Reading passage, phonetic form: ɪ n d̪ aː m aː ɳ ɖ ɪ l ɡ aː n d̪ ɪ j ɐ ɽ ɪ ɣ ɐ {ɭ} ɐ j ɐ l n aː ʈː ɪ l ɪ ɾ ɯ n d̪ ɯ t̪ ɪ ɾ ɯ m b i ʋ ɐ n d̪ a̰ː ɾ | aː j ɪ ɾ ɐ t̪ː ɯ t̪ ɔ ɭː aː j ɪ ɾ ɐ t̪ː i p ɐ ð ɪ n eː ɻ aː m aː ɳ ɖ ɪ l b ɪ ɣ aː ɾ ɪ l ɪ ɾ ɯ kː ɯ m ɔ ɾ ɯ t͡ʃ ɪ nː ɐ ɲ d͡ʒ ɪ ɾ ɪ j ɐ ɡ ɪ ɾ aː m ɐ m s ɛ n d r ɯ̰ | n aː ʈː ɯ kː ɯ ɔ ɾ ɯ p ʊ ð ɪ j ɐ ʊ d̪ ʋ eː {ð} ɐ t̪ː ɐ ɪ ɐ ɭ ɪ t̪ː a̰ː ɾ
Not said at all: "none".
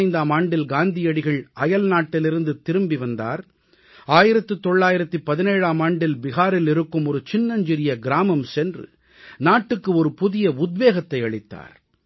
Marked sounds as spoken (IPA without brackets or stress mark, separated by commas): ɭ, ɣ